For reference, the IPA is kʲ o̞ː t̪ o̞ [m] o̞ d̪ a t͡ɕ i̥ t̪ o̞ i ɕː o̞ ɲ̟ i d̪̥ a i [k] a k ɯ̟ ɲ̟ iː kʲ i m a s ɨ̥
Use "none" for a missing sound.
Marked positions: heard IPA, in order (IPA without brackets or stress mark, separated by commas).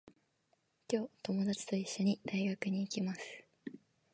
m, ɡ